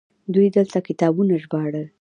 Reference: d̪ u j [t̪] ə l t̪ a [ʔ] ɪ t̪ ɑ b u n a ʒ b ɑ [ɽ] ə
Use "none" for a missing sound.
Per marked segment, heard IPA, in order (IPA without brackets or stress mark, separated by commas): d̪, k, ɽ